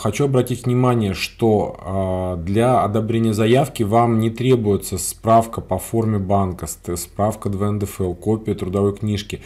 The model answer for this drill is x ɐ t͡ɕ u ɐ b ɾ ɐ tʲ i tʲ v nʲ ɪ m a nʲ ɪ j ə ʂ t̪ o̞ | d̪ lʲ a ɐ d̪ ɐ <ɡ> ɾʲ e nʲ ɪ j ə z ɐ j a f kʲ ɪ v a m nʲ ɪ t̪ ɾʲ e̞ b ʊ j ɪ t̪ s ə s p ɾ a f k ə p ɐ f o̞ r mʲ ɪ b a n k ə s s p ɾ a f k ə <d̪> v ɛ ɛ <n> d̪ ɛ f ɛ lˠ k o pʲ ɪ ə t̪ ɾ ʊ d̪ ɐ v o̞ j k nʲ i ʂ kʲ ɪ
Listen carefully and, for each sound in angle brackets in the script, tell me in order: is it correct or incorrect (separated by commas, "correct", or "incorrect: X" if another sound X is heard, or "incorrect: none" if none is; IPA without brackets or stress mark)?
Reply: incorrect: b, correct, correct